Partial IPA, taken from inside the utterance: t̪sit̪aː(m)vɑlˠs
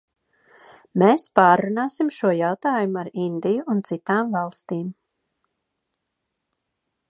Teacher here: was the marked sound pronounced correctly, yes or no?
yes